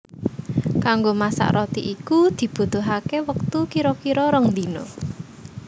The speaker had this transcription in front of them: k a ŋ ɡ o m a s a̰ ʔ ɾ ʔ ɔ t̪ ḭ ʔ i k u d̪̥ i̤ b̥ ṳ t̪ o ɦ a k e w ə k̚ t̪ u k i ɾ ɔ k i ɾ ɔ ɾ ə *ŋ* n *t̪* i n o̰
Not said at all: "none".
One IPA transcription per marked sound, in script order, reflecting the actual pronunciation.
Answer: ŋ, d̪

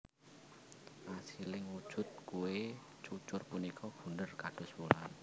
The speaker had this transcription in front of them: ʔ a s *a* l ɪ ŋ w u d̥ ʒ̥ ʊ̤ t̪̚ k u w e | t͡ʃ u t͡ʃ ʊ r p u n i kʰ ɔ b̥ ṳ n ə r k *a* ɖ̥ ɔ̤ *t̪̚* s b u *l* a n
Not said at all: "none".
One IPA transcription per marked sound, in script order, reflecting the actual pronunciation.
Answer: i, a, none, l

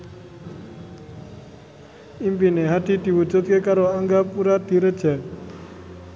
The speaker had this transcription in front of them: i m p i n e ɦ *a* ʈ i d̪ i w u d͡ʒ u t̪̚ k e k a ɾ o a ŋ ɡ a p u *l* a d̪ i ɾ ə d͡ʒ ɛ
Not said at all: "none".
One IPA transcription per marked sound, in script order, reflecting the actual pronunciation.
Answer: a, ɾ

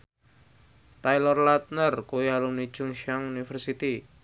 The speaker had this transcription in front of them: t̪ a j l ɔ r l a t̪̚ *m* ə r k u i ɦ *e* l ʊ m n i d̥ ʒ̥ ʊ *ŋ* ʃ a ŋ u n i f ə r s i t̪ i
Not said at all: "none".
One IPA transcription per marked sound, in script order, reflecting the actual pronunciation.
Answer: n, a, ŋ

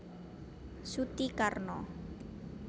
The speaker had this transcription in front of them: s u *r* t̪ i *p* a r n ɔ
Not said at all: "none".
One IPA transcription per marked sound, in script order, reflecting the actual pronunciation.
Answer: none, k

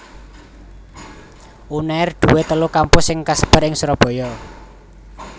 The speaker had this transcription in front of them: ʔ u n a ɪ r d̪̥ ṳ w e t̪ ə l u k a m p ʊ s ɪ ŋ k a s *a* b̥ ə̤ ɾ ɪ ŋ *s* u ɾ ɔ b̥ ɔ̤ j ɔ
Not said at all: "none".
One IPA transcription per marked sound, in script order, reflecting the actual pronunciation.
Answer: ə, s

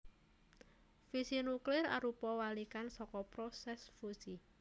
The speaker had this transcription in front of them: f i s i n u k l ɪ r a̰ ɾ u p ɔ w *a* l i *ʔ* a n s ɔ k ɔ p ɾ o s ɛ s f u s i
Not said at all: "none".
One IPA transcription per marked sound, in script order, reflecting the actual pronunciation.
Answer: a, k

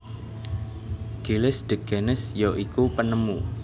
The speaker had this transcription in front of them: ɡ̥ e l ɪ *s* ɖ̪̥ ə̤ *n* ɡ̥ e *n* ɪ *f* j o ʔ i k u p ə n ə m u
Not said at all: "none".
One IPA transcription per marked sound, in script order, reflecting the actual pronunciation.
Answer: s, none, n, s

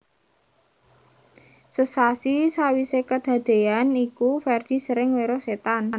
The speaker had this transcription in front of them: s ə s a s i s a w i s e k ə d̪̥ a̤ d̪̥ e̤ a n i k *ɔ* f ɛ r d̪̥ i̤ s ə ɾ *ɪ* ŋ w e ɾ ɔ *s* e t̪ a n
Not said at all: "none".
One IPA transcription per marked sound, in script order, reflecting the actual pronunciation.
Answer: u, ɪ, s

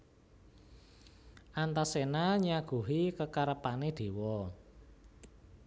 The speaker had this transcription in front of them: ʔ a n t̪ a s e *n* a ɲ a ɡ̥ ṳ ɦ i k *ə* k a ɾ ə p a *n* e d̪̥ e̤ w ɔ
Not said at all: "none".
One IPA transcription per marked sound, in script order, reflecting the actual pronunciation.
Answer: n, ə, n

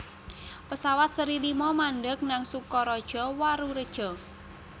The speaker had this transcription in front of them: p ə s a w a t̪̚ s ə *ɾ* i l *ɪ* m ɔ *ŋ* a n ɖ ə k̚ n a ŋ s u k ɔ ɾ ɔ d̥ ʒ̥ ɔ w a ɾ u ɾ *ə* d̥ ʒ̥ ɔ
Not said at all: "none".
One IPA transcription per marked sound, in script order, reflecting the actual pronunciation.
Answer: ɾ, i, m, ə

